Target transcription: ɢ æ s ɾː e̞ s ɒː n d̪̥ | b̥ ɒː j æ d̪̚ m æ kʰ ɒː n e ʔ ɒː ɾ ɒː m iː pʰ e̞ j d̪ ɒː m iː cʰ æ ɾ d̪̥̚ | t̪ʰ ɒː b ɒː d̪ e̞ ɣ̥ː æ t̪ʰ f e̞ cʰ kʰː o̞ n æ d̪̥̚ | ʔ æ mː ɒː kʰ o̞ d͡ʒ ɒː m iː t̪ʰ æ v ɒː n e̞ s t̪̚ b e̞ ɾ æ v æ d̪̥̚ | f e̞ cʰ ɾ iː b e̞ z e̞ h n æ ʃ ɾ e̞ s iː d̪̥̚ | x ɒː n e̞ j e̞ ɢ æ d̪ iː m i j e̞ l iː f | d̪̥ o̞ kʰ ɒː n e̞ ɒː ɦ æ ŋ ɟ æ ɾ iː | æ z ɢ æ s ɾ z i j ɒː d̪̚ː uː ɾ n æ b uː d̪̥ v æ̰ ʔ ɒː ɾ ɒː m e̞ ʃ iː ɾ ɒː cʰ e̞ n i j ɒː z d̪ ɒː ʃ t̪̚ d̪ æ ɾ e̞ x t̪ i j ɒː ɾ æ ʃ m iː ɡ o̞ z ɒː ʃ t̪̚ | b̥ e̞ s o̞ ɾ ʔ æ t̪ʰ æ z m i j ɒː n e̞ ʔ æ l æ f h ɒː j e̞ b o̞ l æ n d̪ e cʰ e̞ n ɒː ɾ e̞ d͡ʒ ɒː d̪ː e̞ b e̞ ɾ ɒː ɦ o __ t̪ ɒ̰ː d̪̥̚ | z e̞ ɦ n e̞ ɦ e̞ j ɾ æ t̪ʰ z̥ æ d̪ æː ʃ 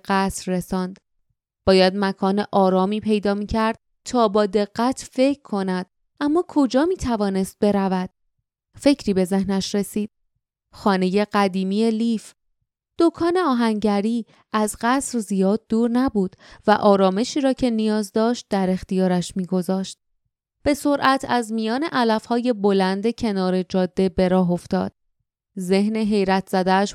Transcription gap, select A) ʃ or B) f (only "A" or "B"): B